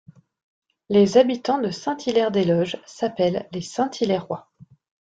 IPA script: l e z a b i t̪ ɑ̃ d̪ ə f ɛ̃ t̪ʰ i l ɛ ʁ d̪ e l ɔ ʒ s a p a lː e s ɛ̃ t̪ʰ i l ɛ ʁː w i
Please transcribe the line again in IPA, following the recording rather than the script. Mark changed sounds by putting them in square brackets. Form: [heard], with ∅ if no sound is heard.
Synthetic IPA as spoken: l e z a b i t̪ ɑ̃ d̪ ə [s] ɛ̃ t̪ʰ i l ɛ ʁ d̪ e l ɔ ʒ s a p [ɛ] lː e s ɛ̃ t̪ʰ i l ɛ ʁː w [a]